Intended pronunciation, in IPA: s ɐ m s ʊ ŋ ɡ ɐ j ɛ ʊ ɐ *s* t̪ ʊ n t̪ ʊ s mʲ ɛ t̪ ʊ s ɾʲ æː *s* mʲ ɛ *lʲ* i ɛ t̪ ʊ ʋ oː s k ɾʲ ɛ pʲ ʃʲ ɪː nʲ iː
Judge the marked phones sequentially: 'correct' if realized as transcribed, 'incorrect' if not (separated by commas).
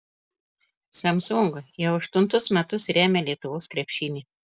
incorrect, incorrect, correct